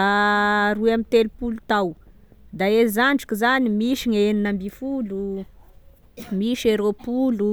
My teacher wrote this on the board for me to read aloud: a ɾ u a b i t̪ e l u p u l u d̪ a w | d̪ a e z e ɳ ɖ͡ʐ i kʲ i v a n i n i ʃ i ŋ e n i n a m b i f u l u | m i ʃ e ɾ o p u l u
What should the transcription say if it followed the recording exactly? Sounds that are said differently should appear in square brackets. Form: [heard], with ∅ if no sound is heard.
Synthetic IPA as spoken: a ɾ u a [m] i t̪ e l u p u l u [t̪] a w | d̪ a e z [a] ɳ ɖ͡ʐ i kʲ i [z] a n i [m] i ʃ i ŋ e n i n a m b i f u l u | m i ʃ e ɾ o p u l u